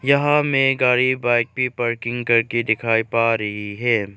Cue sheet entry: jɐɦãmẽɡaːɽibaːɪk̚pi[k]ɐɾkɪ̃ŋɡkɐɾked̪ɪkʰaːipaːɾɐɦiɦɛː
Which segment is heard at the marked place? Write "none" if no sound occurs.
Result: p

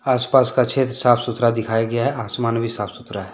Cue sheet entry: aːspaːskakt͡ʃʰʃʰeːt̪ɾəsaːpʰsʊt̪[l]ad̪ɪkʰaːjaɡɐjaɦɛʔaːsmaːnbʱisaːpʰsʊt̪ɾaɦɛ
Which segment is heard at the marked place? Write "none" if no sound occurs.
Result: ɾ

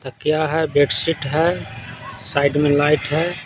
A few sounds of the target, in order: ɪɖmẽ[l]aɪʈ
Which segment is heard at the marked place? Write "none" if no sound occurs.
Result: l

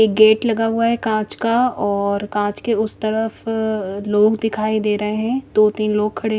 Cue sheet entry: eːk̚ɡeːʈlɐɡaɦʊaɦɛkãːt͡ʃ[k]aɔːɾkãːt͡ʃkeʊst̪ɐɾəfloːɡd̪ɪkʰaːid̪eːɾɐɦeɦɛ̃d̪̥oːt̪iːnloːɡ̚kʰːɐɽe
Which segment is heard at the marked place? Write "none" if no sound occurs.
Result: k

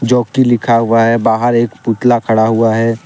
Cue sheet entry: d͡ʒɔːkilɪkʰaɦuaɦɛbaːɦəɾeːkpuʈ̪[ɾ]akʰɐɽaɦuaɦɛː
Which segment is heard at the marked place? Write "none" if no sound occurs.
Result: l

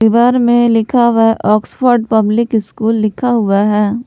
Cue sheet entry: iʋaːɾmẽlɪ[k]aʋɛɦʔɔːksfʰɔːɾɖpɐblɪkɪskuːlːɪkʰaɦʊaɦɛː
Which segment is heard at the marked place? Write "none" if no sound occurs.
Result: kʰ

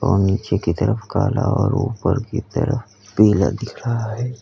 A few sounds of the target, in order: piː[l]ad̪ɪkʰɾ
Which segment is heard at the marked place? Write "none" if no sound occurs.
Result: l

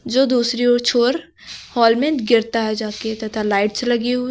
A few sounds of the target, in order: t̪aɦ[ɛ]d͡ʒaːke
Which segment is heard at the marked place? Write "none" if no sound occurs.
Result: ɛ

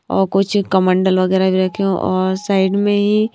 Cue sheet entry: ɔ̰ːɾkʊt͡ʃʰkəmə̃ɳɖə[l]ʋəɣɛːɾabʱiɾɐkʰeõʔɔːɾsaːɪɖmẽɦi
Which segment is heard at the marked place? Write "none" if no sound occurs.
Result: l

